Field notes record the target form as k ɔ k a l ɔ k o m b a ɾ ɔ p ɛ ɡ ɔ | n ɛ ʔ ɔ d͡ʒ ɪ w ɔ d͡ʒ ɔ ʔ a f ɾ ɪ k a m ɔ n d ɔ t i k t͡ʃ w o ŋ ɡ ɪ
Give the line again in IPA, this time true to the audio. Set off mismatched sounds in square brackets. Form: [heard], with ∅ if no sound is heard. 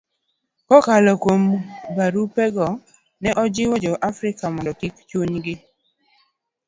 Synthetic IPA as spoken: k ɔ k a l ɔ k o m b a ɾ [u] p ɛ ɡ ɔ | n ɛ ʔ ɔ d͡ʒ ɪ w ɔ d͡ʒ ɔ ʔ a f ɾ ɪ k a m ɔ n d ɔ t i k t͡ʃ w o [ɲ] ɡ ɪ